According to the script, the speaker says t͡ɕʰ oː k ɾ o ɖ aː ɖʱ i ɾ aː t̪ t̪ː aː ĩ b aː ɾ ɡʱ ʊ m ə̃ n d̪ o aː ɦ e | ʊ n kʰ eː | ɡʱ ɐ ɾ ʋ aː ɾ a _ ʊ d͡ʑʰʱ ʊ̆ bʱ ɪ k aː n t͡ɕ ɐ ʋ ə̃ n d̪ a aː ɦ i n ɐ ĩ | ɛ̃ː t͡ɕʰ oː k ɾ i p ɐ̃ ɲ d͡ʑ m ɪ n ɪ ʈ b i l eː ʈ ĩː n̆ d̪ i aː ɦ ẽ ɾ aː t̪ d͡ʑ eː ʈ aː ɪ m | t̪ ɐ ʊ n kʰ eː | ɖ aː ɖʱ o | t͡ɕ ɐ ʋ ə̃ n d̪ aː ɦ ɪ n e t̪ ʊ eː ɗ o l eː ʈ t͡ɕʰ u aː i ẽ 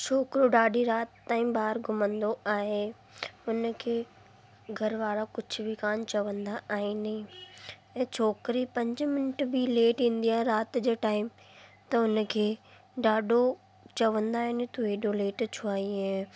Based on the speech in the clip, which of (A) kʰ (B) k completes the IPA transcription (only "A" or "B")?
B